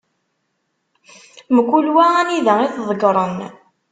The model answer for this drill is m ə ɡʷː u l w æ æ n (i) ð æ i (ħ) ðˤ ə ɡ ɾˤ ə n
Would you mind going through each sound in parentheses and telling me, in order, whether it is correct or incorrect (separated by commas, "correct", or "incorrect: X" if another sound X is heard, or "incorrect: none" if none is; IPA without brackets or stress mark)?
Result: correct, incorrect: θ